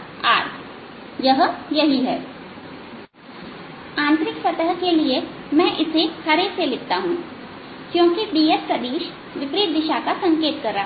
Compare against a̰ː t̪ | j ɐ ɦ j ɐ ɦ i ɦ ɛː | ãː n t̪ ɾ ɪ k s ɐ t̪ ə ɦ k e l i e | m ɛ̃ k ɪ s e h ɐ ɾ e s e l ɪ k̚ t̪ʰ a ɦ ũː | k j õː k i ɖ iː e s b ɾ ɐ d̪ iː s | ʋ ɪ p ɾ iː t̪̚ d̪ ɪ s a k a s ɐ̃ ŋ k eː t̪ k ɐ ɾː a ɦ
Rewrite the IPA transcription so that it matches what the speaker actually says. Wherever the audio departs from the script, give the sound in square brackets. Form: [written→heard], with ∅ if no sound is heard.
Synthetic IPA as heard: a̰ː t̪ | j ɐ ɦ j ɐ ɦ i ɦ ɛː | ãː n t̪ ɾ ɪ k s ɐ t̪ ə ɦ k e l i e | m ɛ̃ [k→ʔ] ɪ s e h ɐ ɾ e s e l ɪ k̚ [t̪ʰ→t̪] a ɦ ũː | k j õː k i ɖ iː e s [b→p] ɾ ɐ d̪ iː [s→ʃ] | ʋ ɪ p ɾ iː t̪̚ d̪ ɪ [s→ʃ] a k a s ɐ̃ ŋ k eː t̪ k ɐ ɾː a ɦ